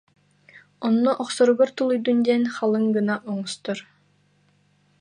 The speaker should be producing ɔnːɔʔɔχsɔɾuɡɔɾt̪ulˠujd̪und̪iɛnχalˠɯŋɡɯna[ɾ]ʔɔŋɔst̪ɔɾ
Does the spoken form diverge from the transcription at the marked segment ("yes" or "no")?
yes